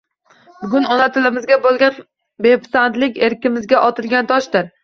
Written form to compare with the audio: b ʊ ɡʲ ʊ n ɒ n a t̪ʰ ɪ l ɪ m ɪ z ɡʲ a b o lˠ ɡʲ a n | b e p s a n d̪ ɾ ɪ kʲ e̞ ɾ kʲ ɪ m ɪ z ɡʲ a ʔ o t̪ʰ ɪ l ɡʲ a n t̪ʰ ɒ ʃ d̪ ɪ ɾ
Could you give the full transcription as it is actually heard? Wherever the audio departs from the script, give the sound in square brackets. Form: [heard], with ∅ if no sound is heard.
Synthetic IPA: b ʊ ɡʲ ʊ n ɒ n a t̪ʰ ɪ l ɪ m ɪ z ɡʲ a b o lˠ ɡʲ a n | b e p s a n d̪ [l] ɪ kʲ e̞ ɾ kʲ ɪ m ɪ z ɡʲ a ʔ [ɒ] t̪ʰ ɪ l ɡʲ a n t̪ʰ ɒ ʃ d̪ ɪ ɾ